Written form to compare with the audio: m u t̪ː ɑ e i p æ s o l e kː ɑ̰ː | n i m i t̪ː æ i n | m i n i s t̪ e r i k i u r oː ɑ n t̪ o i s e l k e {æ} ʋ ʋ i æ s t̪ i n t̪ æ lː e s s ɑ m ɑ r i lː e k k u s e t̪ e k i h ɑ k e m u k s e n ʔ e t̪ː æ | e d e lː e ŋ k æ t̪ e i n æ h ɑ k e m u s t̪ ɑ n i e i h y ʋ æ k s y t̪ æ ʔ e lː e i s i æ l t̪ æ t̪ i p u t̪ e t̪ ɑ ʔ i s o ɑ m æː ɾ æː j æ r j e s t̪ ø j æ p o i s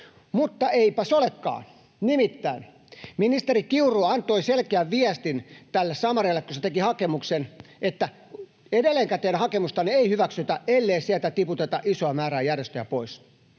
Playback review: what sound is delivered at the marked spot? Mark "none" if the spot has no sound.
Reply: æ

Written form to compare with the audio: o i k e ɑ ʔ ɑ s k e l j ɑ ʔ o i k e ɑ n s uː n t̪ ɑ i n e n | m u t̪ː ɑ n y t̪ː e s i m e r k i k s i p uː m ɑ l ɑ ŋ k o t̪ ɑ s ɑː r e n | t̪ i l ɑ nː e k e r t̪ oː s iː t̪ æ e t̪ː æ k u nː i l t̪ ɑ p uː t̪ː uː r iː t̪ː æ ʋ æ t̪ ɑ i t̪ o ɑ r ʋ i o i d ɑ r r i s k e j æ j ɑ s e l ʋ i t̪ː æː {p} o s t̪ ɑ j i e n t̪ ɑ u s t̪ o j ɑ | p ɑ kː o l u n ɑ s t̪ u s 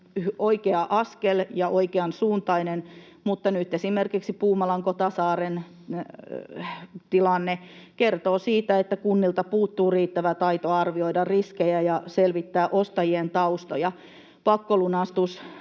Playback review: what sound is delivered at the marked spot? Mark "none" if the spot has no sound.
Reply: ʔ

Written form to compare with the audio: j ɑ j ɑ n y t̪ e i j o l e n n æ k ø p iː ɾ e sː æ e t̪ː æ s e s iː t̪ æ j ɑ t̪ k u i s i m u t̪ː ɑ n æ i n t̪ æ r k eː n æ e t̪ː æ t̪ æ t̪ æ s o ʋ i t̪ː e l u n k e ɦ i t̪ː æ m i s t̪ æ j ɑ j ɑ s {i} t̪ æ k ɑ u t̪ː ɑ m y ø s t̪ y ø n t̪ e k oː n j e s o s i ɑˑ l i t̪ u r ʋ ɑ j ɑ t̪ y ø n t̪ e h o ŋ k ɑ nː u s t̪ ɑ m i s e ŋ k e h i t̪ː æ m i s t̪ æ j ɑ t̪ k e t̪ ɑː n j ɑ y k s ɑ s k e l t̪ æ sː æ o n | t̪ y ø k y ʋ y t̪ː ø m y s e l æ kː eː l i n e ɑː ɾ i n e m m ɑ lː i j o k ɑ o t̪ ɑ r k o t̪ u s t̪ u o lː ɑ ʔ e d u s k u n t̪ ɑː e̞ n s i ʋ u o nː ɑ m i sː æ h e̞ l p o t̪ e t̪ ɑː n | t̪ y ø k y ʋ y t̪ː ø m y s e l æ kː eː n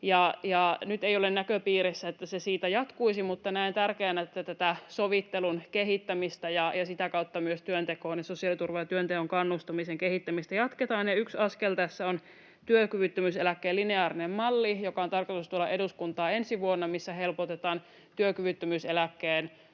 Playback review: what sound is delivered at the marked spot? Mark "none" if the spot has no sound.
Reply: i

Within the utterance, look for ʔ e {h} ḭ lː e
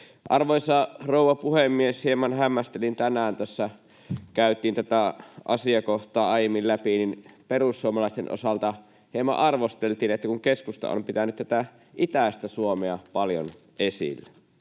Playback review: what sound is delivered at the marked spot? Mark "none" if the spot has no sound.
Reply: s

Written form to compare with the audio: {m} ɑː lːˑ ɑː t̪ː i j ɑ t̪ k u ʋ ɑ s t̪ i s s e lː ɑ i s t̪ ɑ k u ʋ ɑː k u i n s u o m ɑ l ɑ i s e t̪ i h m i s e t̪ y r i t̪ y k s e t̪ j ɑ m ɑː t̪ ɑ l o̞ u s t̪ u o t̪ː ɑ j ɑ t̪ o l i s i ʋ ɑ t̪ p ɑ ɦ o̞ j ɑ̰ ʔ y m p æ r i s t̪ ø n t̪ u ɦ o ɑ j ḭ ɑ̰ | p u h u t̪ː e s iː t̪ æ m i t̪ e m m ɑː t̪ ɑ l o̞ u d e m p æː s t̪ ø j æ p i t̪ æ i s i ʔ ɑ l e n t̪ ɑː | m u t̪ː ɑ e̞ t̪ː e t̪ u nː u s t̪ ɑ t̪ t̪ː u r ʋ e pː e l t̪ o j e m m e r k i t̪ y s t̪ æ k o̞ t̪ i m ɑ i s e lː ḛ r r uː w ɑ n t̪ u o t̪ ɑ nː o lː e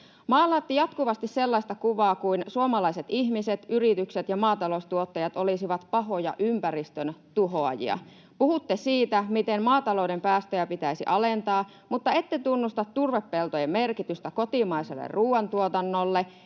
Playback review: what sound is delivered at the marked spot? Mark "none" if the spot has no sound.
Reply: m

